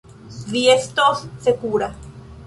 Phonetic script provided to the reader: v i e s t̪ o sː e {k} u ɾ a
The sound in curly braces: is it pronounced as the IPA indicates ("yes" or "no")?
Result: yes